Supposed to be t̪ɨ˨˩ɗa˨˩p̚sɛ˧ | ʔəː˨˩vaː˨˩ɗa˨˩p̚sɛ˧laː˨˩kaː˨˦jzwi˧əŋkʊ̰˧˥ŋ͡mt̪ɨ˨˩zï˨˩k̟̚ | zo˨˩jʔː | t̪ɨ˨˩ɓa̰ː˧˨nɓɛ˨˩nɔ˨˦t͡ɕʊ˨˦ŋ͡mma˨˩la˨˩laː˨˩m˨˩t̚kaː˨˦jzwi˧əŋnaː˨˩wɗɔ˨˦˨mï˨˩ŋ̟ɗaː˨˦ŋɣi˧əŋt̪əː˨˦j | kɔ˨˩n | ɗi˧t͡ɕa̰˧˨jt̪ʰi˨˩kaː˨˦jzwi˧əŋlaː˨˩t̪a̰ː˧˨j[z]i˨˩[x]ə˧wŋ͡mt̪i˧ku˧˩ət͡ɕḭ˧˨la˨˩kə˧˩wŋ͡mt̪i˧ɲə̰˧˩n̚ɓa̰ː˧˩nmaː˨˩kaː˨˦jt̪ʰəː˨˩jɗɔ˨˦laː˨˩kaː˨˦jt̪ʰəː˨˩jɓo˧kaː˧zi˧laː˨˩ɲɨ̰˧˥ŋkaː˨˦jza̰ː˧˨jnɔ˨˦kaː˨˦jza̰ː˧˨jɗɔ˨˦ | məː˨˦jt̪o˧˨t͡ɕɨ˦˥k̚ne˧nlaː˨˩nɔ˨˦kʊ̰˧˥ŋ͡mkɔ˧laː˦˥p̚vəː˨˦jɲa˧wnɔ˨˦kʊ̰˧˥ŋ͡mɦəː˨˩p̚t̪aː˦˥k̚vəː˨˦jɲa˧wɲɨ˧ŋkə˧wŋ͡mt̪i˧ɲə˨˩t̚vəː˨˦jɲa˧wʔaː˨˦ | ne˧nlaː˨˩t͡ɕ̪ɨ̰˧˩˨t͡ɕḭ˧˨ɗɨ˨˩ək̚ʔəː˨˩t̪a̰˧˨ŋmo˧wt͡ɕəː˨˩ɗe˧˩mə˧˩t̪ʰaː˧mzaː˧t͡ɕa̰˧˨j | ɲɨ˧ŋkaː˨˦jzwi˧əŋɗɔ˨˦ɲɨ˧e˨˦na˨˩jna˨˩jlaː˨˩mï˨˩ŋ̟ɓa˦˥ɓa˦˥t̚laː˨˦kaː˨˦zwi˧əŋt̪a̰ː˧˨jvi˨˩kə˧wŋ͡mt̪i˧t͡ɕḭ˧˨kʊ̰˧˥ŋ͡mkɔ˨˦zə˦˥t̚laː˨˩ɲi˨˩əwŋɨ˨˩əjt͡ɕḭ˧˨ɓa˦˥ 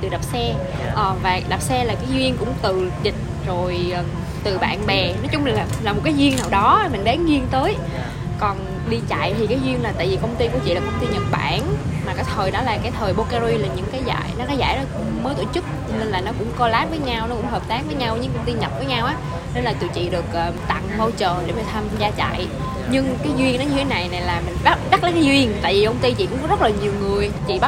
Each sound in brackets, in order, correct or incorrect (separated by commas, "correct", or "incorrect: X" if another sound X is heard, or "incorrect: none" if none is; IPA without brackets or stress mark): incorrect: v, incorrect: k